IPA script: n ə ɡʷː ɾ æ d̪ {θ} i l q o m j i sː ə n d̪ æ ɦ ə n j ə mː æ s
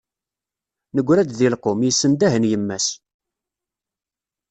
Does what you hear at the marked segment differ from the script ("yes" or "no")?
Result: yes